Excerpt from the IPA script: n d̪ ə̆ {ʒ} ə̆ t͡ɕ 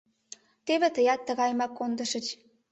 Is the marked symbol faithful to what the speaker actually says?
no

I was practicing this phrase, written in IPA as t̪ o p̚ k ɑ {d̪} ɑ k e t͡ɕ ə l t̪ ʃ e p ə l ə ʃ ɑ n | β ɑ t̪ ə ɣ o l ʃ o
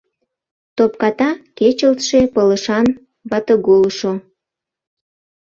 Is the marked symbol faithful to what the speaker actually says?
no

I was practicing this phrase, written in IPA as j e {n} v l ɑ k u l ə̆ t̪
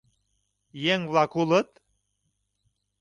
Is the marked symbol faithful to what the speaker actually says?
no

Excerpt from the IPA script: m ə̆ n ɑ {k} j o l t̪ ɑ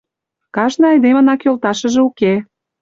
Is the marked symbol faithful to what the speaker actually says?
yes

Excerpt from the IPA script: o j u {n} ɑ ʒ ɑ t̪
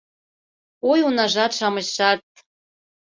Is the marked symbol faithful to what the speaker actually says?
yes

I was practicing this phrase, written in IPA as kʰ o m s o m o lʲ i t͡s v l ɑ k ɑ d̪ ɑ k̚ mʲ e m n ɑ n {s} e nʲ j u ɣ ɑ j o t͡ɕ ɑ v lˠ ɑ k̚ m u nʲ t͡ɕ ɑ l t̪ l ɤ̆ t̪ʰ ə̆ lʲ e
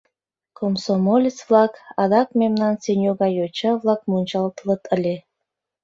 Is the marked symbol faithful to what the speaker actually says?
yes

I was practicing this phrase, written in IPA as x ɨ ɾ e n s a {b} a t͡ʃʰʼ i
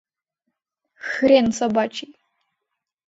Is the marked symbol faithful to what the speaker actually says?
yes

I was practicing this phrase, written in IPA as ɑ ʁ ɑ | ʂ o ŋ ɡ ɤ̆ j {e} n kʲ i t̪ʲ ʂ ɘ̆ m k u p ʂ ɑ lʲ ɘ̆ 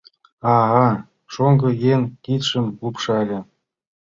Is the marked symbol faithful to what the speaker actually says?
yes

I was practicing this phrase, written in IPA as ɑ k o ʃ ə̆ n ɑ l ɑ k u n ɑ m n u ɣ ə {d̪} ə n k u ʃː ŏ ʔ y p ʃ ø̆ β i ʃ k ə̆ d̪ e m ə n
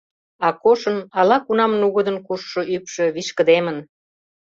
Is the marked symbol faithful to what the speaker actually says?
yes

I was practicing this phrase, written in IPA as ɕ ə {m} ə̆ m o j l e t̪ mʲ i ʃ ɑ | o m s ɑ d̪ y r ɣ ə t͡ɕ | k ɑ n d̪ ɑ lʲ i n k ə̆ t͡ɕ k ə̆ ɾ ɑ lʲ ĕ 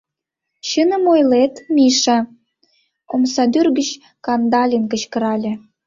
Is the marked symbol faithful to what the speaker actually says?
no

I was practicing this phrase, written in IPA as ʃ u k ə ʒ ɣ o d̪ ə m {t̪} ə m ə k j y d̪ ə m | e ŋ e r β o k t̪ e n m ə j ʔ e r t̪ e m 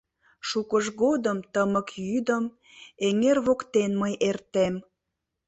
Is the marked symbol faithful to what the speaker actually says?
yes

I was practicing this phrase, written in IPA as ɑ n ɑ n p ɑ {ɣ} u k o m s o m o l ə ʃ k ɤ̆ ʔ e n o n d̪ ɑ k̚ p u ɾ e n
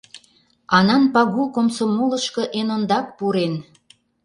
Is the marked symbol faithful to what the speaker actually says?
yes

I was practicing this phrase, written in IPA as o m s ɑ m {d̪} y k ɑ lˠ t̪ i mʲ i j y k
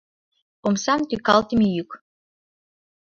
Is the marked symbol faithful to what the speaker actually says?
no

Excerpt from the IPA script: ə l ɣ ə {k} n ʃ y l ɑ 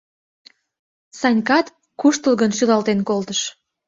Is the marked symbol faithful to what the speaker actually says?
no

